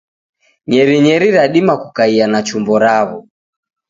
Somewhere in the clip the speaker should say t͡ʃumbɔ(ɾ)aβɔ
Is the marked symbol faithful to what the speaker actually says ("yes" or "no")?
yes